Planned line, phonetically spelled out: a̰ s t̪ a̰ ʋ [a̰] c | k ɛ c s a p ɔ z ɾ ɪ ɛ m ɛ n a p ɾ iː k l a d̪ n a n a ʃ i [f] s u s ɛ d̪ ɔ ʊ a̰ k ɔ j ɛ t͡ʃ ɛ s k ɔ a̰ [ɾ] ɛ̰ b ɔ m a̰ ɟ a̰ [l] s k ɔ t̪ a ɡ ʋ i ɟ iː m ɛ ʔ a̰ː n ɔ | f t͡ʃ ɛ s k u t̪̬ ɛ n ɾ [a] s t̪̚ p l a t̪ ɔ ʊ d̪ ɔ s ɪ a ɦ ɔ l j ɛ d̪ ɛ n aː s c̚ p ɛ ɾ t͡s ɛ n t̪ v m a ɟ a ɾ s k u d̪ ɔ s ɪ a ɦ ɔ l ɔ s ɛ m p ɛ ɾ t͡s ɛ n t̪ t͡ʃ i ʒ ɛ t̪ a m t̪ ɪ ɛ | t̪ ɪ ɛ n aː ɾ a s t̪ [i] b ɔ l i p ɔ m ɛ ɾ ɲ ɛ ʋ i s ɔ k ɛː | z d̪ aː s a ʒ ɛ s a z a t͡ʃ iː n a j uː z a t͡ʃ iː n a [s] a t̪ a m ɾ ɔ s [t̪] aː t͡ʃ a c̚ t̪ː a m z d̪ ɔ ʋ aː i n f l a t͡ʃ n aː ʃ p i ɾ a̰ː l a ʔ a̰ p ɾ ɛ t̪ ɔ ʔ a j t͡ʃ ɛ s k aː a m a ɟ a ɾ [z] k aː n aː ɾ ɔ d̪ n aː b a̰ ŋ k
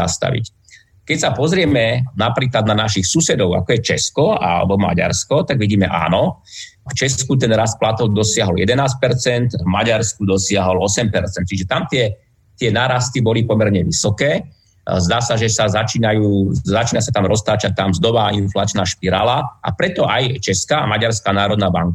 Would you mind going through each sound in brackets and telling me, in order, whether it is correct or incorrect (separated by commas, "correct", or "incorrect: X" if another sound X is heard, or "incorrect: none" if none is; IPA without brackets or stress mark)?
incorrect: ḭ, incorrect: x, incorrect: l, incorrect: ɾ, correct, correct, correct, correct, incorrect: s